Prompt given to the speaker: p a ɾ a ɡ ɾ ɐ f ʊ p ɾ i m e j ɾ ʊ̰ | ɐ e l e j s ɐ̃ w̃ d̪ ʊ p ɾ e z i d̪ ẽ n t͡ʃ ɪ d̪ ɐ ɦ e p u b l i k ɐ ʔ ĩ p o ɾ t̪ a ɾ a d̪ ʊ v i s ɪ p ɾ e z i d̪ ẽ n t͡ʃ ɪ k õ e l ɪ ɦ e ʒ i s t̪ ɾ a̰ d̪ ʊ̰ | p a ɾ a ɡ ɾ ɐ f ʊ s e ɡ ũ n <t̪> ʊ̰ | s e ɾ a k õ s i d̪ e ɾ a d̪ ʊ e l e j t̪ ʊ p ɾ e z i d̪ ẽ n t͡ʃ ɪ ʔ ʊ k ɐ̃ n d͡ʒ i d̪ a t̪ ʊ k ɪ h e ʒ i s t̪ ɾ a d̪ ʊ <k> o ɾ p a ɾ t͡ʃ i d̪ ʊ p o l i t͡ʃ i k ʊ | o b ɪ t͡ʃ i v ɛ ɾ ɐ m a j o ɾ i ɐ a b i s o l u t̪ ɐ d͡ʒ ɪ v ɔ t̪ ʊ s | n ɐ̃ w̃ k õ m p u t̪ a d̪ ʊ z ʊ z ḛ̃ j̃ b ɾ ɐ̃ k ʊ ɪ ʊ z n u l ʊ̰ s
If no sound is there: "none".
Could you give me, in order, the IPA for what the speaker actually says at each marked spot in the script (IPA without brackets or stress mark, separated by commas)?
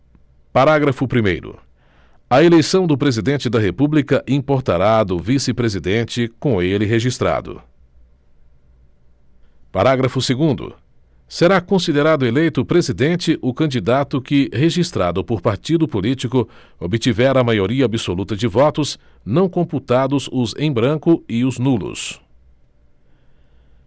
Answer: d̪, p